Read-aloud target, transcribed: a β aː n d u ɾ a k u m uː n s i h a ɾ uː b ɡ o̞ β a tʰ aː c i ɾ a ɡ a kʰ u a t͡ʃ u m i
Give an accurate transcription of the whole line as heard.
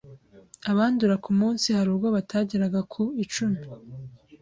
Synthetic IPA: a β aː n d u ɾ a k u m uː n s i h a ɾ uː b ɡ o̞ β a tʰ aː ɟ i ɾ a ɡ a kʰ u i t͡ʃ u m i

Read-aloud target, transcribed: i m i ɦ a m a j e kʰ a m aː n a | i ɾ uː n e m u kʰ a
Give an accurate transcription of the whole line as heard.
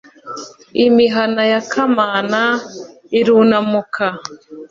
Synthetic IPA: i m i ɦ a n a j a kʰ a m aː n a | i ɾ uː n a m u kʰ a

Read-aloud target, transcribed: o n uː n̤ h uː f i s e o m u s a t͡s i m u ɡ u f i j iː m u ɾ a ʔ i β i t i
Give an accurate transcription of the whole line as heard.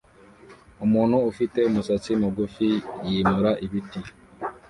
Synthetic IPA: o m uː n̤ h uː f i t e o m u s a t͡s i m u ɡ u f i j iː m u ɾ a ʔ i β i t i

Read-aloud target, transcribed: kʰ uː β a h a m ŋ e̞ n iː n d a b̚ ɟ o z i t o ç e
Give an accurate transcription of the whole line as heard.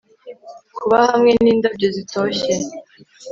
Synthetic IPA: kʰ u β a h a m ŋ e̞ n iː n d a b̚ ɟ o z i t o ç e

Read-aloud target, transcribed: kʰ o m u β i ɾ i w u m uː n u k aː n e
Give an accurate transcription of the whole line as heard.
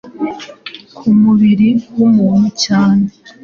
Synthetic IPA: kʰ u m u β i ɾ i w u m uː n u c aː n e

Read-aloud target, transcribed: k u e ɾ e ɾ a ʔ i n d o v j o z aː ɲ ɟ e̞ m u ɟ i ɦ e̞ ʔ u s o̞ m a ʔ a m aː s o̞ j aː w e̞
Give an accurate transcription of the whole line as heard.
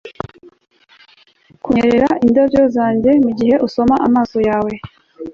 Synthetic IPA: k u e ɾ e ɾ a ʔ i n d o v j o z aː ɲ ɟ e̞ m u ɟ i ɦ e̞ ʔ u s o̞ m a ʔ a m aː s o̞ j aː w e̞

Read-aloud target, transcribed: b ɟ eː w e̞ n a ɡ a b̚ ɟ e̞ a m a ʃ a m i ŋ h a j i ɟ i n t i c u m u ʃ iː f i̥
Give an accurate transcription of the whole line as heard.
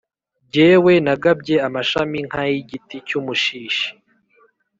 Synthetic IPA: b ɟ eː w e̞ n a ɡ a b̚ ɟ e̞ a m a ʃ a m i ŋ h a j i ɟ i t i c u m u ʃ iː ʃ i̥

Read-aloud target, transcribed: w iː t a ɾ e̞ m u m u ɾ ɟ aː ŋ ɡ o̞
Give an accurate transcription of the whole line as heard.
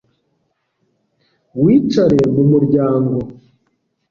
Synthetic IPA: w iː t͡ʃ a ɾ e̞ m u m u ɾ ɟ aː ŋ ɡ o̞

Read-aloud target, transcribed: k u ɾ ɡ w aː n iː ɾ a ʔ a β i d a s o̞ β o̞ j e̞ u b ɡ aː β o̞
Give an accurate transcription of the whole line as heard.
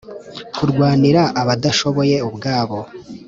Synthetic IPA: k u ɾ ɡ w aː n i ɾ a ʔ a β a d a ʃ o̞ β o̞ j e̞ u b ɡ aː β o̞

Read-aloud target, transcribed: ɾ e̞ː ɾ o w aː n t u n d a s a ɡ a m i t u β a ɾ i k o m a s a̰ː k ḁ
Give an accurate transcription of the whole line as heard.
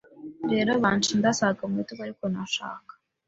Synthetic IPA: ɾ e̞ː ɾ o β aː n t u n d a s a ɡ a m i t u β a ɾ i k o n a ʃ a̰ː k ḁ

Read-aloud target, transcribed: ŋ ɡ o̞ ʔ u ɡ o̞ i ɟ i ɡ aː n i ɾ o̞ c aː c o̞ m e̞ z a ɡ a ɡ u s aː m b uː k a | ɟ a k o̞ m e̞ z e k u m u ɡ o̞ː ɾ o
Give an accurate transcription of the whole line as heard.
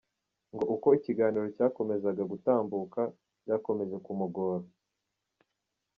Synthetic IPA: ŋ ɡ o̞ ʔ u k o̞ i c i ɡ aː n i ɾ o̞ c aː k o̞ m e̞ z a ɡ a ɡ u t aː m b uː k a | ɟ a k o̞ m e̞ z e k u m u ɡ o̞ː ɾ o

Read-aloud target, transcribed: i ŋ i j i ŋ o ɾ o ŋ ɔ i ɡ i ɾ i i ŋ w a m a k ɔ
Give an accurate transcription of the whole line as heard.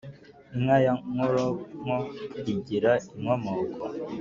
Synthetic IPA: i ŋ a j a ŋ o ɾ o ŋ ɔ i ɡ i ɾ a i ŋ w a m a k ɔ

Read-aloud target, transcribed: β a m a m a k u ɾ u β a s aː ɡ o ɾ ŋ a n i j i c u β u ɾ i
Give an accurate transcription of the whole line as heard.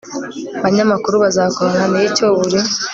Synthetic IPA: β a ɲ a m a k u ɾ u β a z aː k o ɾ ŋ a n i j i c o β u ɾ i

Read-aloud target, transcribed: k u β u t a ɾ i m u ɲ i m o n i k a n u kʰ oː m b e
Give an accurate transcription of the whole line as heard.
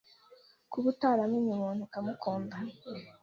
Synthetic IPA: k u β u t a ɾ a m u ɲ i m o n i k a m u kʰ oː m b a

